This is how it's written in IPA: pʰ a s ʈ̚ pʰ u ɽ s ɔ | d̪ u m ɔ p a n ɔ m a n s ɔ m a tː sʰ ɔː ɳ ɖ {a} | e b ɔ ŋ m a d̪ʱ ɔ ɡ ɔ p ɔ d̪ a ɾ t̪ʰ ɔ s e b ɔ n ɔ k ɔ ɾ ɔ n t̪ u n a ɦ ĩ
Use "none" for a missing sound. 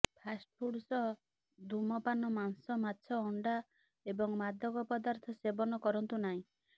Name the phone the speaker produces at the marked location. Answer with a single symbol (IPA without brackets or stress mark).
a